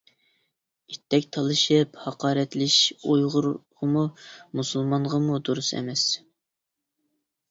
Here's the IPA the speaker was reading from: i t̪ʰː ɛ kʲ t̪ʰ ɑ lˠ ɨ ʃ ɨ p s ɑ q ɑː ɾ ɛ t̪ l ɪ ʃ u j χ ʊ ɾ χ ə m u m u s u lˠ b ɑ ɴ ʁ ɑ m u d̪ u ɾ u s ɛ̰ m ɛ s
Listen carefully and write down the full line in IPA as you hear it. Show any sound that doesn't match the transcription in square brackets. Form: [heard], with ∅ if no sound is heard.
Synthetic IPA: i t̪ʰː ɛ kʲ t̪ʰ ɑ lˠ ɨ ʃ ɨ p [h] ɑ q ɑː ɾ ɛ t̪ l ɪ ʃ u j [ʁ] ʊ ɾ [ʁ] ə m u m u s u lˠ [m] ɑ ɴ ʁ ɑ m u d̪ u ɾ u s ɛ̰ m ɛ s

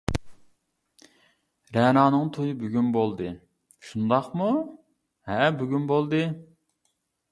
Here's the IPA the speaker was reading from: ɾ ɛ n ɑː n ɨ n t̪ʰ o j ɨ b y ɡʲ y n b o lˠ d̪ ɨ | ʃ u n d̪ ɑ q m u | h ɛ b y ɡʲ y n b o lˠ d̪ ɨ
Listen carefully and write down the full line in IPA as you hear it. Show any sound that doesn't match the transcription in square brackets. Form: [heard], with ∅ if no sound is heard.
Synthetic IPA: ɾ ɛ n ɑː n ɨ [ŋ] t̪ʰ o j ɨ b y ɡʲ y n b o lˠ d̪ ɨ | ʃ u n d̪ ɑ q m u | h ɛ b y ɡʲ y n b o lˠ d̪ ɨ

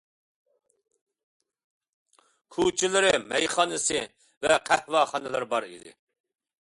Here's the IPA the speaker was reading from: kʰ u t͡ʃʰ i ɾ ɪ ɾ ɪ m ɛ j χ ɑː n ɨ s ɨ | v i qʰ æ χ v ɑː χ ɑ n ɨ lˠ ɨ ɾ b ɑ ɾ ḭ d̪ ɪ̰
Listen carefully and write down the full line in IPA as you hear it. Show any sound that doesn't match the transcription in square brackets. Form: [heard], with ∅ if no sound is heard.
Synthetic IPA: kʰ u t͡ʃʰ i [l] ɪ ɾ ɪ m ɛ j χ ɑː n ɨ s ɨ | v [ɛ] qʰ æ [h] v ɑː χ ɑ n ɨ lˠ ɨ ɾ b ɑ ɾ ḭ d̪ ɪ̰

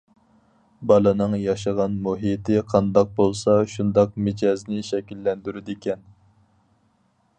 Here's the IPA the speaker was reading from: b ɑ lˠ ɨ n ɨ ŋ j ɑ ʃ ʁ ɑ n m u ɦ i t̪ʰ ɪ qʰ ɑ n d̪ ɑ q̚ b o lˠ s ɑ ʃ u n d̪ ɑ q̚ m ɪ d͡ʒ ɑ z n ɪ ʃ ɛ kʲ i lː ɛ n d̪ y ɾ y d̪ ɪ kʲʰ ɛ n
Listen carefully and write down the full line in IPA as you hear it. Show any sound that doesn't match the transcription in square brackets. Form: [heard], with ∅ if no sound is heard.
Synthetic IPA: b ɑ lˠ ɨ n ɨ ŋ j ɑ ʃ ʁ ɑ n m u ɦ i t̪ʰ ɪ qʰ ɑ n d̪ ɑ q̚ b o lˠ s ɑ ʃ u n d̪ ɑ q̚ m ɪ d͡ʒ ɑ z n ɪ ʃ ɛ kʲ i lː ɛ n d̪ y ɾ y d̪ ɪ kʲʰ ɛ n

